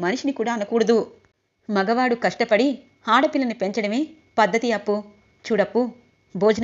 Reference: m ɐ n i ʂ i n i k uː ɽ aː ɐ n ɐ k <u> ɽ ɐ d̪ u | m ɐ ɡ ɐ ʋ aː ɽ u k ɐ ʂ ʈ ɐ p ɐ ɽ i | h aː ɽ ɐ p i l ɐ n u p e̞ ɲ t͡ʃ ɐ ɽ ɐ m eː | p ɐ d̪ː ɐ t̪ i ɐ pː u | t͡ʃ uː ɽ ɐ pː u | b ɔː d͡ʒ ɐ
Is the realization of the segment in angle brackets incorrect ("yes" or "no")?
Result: yes